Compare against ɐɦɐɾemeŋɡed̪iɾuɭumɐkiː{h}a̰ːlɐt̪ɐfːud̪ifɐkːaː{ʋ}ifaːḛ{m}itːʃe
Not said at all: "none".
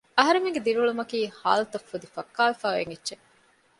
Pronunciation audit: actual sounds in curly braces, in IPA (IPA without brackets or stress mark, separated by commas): h, ʋ, ŋ